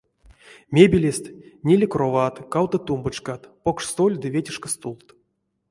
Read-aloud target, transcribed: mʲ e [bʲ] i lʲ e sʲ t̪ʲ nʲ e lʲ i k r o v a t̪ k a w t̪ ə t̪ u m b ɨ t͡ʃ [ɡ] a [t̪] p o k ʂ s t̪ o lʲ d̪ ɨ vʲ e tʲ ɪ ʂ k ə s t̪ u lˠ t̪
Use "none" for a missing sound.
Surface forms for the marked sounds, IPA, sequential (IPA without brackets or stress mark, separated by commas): bʲ, k, t̪